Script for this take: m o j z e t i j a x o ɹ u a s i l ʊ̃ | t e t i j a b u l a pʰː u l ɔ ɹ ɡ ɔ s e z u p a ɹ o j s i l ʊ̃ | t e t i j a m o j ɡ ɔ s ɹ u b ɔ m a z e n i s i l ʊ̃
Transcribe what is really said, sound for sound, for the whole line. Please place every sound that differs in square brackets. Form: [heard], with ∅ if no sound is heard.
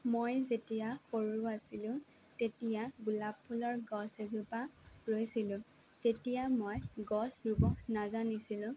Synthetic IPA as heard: m o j z e t i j a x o ɹ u a s i l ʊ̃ | t e t i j a [ɡ] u l a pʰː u l ɔ ɹ ɡ ɔ s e z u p a ɹ o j s i l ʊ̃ | t e t i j a m o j ɡ ɔ s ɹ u b ɔ [n] a z [a] n i s i l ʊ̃